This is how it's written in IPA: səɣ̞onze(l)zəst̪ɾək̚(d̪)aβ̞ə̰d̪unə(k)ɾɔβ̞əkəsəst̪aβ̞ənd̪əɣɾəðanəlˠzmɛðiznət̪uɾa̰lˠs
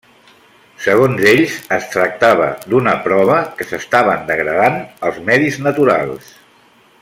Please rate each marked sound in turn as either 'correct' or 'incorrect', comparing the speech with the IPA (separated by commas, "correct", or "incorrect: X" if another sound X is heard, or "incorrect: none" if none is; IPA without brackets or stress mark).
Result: incorrect: ʎ, incorrect: t̪, incorrect: p